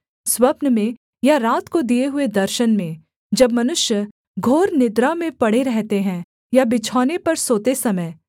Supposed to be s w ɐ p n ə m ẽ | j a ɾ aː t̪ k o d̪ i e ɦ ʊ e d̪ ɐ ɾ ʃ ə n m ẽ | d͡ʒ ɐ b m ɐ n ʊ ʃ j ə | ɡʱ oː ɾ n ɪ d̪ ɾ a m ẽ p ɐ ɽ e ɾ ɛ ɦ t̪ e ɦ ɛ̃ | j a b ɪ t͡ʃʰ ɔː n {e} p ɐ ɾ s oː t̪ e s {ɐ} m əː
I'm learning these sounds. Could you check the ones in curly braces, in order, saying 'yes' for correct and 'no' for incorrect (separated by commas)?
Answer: yes, yes